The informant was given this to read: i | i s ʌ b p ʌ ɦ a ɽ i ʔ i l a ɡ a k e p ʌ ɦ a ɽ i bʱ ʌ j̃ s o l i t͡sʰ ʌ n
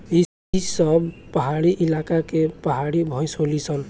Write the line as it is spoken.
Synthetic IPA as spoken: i | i s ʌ b p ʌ ɦ a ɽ i ʔ i l a k a k e p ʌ ɦ a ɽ i bʱ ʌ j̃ s o l i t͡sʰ ʌ n